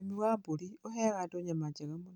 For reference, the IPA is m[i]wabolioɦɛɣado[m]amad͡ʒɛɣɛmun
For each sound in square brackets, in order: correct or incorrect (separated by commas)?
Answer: correct, incorrect